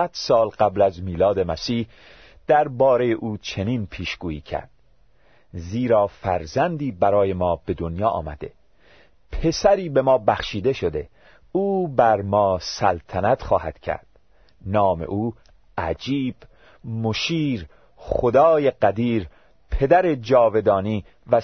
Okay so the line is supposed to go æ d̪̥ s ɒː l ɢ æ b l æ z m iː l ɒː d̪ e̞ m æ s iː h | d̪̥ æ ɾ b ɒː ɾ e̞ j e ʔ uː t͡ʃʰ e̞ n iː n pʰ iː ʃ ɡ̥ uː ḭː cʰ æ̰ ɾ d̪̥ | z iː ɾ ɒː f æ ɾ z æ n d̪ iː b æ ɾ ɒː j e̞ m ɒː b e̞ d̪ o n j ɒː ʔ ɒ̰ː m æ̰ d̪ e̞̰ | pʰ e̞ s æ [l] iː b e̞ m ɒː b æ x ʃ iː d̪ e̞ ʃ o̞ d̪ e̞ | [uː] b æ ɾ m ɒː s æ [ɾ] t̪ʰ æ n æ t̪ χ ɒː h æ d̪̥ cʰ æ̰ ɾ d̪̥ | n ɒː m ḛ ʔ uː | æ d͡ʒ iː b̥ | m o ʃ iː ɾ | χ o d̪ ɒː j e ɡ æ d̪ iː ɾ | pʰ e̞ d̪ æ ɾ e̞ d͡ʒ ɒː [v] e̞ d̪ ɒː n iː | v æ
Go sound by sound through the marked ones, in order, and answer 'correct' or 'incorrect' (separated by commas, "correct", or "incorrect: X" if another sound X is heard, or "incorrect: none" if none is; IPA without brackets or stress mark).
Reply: incorrect: ɾ, correct, incorrect: l, correct